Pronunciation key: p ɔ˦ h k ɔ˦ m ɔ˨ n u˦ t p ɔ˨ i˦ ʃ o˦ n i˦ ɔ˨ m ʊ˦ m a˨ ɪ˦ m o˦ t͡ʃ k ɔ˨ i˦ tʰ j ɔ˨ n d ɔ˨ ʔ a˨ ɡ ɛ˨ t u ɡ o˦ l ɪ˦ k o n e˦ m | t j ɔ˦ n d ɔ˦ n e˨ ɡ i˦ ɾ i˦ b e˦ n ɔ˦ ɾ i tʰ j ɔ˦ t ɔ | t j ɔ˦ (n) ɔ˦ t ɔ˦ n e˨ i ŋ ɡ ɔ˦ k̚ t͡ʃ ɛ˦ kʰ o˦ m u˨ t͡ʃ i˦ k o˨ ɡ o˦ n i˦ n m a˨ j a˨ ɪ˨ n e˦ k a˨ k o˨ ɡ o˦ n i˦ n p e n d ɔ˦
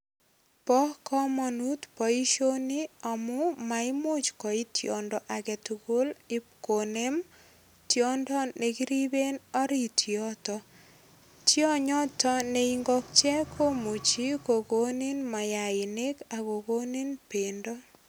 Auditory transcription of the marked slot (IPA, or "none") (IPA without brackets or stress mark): ɲ